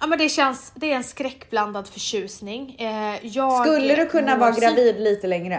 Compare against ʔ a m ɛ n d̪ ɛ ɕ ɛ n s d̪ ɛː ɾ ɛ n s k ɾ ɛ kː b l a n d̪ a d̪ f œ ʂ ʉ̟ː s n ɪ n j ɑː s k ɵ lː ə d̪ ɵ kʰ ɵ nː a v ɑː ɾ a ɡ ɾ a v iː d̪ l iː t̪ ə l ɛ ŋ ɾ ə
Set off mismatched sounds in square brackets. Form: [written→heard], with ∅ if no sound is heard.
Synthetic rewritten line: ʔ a m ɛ n d̪ ɛ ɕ ɛ n s d̪ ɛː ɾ ɛ n s k ɾ ɛ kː b l a n d̪ a d̪ f œ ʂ ʉ̟ː s n ɪ [n→ŋ] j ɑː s k ɵ lː ə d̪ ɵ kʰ ɵ nː a v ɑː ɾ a ɡ ɾ a v iː d̪ l iː t̪ ə l ɛ ŋ ɾ ə